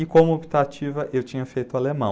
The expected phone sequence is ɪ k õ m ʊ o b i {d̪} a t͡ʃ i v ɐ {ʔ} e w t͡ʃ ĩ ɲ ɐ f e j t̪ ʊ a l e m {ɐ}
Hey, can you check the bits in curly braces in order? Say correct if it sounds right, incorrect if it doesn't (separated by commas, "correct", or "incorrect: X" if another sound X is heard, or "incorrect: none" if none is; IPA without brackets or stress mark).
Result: incorrect: t̪, correct, incorrect: ɐ̃